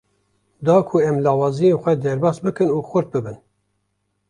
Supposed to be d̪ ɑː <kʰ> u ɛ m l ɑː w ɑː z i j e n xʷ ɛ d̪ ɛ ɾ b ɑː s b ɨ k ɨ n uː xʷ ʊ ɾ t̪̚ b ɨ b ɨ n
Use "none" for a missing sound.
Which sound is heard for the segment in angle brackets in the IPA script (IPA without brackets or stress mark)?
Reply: kʰ